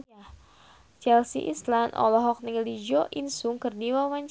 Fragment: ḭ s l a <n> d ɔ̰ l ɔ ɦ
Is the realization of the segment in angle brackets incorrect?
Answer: no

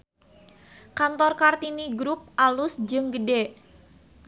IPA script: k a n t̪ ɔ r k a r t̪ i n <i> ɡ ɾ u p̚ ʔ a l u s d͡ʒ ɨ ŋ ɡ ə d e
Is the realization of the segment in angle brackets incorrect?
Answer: no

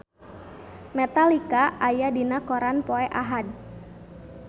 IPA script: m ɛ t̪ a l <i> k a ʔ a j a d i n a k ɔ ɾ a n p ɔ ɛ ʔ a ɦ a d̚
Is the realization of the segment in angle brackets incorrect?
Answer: no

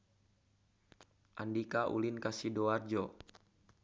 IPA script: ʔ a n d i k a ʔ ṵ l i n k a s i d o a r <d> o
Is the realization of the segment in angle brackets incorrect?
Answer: yes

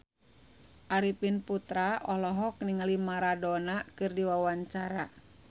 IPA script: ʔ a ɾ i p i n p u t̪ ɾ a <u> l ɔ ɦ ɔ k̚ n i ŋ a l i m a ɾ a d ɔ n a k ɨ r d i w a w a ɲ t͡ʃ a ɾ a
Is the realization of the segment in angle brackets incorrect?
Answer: yes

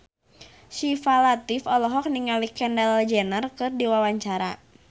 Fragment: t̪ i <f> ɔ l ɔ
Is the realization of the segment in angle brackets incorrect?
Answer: no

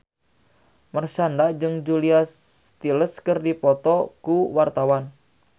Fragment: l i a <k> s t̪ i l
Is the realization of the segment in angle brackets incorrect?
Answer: yes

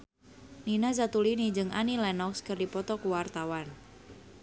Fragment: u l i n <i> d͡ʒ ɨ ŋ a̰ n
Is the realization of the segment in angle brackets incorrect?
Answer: no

